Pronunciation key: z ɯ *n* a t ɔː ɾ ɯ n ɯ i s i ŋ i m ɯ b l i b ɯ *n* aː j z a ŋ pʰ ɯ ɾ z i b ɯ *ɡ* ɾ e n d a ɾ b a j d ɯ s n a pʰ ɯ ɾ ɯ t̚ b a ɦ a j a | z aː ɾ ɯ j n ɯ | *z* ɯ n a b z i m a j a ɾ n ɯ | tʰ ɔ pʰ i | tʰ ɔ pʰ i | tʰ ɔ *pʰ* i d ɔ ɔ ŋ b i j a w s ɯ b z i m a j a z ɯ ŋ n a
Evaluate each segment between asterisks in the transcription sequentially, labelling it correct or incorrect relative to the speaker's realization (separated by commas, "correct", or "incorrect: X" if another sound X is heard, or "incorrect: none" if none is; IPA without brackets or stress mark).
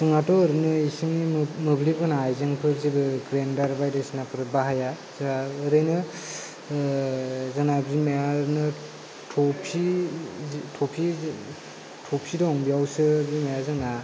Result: incorrect: ŋ, correct, correct, correct, correct